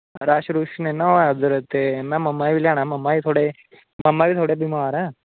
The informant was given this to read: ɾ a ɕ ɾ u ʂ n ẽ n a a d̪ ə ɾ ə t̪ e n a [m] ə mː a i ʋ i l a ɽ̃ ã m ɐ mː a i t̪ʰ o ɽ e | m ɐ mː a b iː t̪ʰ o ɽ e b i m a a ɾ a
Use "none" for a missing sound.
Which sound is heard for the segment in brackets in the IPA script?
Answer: m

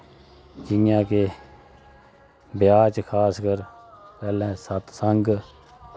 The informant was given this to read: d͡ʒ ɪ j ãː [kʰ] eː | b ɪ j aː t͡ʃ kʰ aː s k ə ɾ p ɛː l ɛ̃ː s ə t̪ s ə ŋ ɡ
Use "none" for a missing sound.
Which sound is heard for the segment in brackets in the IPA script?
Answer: k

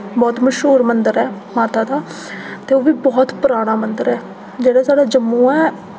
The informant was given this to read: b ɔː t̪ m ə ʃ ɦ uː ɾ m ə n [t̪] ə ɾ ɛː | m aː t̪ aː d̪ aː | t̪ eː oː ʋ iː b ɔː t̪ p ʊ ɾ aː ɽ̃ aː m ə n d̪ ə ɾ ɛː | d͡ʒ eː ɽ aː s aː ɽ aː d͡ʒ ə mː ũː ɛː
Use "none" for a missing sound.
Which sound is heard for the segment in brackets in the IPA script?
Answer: d̪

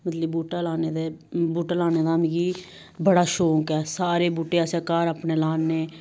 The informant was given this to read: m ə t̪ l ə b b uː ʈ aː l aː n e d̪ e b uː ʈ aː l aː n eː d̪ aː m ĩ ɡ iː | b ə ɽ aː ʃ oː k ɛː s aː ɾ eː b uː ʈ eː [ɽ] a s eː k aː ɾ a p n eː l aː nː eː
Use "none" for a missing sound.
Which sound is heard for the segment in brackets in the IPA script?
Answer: none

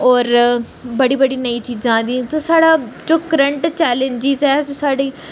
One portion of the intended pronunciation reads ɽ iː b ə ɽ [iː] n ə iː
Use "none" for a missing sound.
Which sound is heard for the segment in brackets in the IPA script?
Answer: iː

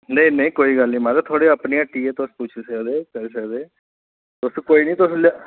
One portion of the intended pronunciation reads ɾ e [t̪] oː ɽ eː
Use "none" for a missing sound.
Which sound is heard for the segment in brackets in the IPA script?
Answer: t̪ʰ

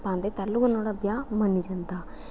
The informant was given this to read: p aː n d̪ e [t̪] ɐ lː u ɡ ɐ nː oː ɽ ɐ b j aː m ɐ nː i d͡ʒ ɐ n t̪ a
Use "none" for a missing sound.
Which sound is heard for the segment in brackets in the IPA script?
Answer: t̪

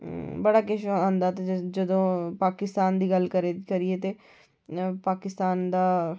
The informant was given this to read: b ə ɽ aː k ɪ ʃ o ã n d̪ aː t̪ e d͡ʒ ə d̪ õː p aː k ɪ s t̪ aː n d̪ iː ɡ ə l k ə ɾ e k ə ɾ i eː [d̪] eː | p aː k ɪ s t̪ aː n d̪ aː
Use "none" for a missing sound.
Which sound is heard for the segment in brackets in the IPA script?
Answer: t̪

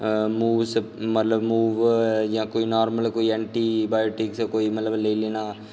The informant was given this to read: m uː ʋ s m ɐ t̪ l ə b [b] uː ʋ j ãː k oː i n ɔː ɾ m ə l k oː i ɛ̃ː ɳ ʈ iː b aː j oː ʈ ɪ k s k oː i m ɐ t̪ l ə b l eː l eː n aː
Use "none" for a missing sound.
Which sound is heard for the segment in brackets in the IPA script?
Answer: m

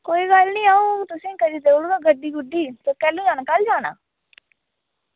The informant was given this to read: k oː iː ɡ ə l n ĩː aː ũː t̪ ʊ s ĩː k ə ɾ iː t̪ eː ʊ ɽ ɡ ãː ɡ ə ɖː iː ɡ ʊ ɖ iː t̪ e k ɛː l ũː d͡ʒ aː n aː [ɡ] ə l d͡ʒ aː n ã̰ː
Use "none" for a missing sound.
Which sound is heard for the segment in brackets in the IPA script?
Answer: k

